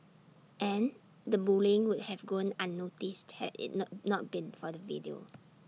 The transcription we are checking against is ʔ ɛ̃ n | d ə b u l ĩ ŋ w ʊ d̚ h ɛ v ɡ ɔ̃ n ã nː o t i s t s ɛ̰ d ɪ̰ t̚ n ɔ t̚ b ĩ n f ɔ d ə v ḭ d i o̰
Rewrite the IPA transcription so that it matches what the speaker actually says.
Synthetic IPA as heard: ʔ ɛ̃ n | d ə b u l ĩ ŋ w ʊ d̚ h ɛ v ɡ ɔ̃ n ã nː o t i s t h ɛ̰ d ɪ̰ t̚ n ɔ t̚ b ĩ n f ɔ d ə v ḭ d i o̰